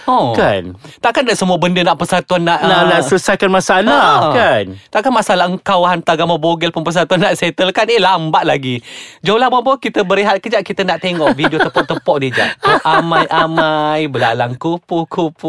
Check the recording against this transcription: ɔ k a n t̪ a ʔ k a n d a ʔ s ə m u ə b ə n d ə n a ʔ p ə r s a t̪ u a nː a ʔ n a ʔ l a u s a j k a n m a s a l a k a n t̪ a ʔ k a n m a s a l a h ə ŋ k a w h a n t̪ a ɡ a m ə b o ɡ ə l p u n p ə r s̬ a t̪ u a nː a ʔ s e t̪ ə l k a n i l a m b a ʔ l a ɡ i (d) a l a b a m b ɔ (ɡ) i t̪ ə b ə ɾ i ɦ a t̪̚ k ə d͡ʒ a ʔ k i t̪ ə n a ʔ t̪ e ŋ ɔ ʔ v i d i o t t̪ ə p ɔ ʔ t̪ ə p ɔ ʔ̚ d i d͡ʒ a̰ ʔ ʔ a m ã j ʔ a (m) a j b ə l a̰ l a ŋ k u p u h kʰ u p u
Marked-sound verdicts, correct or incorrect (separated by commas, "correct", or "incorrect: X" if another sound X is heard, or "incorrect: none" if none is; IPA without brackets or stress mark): incorrect: d͡ʒ, incorrect: k, correct